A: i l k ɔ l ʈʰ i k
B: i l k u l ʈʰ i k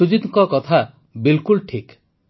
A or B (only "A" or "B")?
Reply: B